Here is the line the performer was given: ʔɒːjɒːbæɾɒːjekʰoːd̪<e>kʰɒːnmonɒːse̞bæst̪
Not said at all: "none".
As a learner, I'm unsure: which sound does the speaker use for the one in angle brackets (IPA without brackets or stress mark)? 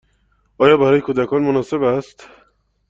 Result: æ